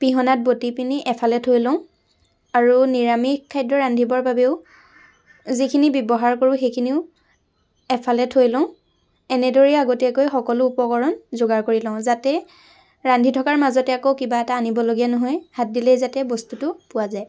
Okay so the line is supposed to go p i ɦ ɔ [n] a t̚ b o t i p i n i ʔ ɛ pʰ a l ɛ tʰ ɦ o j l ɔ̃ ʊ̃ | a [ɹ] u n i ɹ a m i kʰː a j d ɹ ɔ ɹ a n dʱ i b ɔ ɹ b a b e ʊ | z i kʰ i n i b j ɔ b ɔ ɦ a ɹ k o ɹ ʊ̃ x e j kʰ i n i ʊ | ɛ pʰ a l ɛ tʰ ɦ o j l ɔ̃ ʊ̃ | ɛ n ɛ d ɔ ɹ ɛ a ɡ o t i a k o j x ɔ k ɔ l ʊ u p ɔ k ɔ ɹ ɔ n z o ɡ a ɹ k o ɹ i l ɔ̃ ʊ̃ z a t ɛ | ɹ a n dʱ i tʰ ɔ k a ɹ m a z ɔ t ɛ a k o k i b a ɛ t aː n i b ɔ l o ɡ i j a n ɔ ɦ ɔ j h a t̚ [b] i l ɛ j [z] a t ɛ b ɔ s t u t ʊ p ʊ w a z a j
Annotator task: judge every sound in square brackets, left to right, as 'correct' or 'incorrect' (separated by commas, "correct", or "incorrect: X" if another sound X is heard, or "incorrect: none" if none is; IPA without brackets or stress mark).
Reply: correct, correct, incorrect: d, correct